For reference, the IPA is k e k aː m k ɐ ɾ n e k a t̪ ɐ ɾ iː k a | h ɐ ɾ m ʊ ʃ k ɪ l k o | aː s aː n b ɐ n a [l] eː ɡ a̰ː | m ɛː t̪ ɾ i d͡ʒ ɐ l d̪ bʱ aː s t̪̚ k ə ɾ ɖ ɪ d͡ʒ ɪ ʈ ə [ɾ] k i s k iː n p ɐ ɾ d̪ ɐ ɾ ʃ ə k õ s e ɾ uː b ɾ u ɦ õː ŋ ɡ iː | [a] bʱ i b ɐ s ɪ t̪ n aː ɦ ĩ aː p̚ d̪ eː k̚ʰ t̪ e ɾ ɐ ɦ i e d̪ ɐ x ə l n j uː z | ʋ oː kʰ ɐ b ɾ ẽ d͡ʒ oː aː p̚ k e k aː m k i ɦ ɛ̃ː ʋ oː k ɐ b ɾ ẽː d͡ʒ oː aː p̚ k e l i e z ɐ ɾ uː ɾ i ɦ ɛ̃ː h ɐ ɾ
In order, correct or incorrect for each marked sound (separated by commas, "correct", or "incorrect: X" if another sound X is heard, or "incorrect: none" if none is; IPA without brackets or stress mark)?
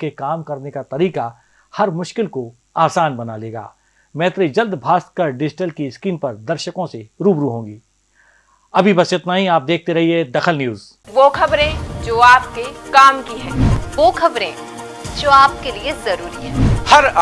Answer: correct, incorrect: l, incorrect: ɐ